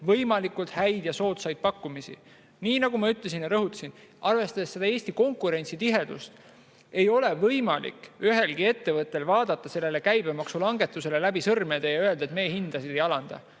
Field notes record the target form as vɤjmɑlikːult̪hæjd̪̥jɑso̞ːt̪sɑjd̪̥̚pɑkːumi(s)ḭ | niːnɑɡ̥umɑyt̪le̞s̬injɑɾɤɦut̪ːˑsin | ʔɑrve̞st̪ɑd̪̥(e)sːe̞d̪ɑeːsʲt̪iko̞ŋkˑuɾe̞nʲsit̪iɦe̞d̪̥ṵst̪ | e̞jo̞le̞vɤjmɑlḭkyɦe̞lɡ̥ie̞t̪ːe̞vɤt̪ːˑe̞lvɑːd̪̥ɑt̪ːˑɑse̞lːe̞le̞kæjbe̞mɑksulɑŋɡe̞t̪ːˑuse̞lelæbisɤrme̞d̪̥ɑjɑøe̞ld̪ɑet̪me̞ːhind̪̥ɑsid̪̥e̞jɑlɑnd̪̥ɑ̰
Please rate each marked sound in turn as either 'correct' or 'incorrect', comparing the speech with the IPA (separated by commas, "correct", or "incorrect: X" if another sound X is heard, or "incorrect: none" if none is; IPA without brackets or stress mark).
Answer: correct, correct